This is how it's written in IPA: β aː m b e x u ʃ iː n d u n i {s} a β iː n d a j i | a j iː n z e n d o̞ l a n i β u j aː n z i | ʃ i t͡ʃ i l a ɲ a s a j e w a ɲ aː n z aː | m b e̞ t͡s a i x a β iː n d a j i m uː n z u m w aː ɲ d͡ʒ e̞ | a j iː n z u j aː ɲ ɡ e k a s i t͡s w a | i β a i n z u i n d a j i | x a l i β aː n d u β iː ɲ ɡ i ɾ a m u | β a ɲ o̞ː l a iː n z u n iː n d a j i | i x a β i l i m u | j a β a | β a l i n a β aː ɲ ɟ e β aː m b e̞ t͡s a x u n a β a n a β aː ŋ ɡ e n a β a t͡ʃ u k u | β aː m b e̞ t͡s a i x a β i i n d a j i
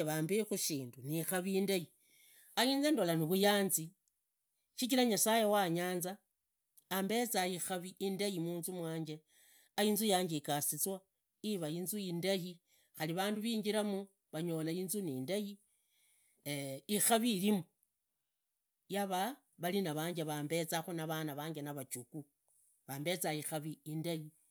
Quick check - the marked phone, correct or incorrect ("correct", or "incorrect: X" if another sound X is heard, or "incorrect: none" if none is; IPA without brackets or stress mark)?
incorrect: x